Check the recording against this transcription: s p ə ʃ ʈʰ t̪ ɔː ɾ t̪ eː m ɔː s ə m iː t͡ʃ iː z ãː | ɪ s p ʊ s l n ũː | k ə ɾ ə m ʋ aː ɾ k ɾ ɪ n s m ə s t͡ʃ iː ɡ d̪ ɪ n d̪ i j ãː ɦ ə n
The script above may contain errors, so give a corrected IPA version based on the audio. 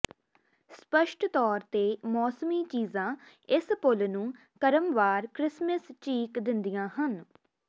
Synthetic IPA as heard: s p ə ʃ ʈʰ t̪ ɔː ɾ t̪ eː m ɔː s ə m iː t͡ʃ iː z ãː | ɪ s p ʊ l n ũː | k ə ɾ ə m ʋ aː ɾ k ɾ ɪ s m ə s t͡ʃ iː k d̪ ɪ n d̪ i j ãː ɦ ə n